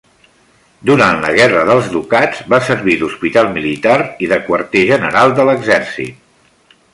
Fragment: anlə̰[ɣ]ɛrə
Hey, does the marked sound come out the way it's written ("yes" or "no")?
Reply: yes